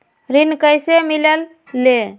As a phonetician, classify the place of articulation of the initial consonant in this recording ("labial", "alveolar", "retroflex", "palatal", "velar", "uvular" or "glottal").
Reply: alveolar